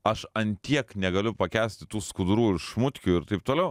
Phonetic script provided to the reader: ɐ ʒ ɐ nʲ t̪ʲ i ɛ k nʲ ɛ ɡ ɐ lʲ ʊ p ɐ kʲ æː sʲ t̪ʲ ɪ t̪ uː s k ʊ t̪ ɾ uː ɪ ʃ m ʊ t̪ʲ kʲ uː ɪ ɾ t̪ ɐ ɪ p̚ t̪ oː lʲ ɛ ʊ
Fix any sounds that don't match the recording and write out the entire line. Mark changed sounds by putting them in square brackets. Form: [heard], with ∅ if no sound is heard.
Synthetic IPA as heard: ɐ [ʃ] ɐ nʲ t̪ʲ i ɛ k nʲ ɛ ɡ ɐ lʲ ʊ p ɐ kʲ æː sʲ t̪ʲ ɪ t̪ uː s k ʊ [d̪] ɾ uː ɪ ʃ m ʊ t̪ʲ kʲ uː ɪ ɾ t̪ ɐ ɪ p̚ t̪ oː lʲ ɛ ʊ

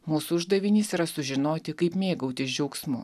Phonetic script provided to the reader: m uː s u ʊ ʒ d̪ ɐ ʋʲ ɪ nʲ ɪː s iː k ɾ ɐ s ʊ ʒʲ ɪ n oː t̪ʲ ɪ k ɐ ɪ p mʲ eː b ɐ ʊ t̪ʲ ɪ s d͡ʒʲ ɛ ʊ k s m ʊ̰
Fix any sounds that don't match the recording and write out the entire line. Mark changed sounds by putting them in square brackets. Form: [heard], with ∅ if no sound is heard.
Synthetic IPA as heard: m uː s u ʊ ʒ d̪ ɐ ʋʲ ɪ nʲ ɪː s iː [∅] ɾ ɐ s ʊ ʒʲ ɪ n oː t̪ʲ ɪ k ɐ ɪ p mʲ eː [ɡ] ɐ ʊ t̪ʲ ɪ s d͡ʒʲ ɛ ʊ k s m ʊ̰

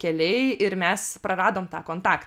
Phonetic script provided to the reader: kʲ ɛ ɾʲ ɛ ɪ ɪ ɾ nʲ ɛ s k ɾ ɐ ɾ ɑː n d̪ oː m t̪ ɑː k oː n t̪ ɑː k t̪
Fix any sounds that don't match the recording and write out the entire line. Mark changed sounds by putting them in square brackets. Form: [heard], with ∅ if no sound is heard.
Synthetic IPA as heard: kʲ ɛ [lʲ] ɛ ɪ ɪ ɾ [mʲ] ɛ s [p] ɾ ɐ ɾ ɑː [∅] d̪ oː m t̪ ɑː k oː n t̪ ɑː k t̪

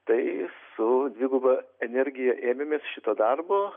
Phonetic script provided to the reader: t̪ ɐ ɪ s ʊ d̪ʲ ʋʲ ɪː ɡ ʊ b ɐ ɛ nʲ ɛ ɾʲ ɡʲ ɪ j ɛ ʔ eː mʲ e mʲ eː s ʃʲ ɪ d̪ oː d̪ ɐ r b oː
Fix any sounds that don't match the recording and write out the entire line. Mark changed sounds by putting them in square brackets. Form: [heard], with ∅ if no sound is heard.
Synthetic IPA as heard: t̪ ɐ ɪ s ʊ d̪ʲ ʋʲ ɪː ɡ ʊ b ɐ ɛ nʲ ɛ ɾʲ ɡʲ ɪ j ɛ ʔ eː mʲ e mʲ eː s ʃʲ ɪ [t̪] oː d̪ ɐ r b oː

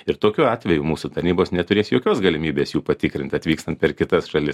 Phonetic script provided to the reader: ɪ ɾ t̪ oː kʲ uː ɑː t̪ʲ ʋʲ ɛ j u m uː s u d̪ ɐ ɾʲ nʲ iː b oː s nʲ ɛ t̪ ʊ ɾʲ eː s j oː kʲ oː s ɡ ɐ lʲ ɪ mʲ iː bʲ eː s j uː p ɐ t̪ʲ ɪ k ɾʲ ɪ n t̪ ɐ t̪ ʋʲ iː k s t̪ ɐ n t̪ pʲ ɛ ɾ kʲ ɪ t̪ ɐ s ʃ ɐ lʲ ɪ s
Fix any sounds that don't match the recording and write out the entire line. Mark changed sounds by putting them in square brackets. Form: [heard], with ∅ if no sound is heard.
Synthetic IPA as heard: ɪ ɾ t̪ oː kʲ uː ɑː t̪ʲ ʋʲ ɛ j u m uː s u [t̪] ɐ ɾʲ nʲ iː b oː s nʲ ɛ t̪ ʊ ɾʲ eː s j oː kʲ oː s ɡ ɐ lʲ ɪ mʲ iː bʲ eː s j uː p ɐ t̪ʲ ɪ k ɾʲ ɪ n t̪ ɐ t̪ ʋʲ iː k s t̪ ɐ n t̪ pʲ ɛ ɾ kʲ ɪ t̪ ɐ s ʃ ɐ lʲ ɪ s

